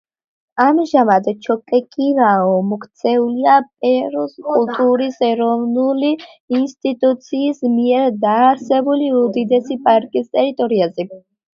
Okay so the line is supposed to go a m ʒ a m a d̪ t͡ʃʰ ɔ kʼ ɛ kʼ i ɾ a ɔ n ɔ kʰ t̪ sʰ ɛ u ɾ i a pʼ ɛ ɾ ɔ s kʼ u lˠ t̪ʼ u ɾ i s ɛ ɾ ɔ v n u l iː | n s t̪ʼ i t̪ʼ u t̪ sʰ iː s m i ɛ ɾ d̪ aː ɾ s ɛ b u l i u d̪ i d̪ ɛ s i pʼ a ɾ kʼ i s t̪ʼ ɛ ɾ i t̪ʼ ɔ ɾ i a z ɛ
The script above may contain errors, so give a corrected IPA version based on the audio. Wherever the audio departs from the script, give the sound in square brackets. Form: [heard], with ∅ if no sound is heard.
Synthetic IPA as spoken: a m ʒ a m a d̪ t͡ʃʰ ɔ kʼ ɛ kʼ i ɾ a ɔ [m] ɔ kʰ t̪ sʰ ɛ u [l] i a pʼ ɛ ɾ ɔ s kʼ u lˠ t̪ʼ u ɾ i s ɛ ɾ ɔ v n u l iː | n s t̪ʼ i t̪ʼ u t̪ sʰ iː s m i ɛ ɾ d̪ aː ɾ s ɛ b u l i u d̪ i d̪ ɛ s i pʼ a ɾ kʼ i s t̪ʼ ɛ ɾ i t̪ʼ ɔ ɾ i a z ɛ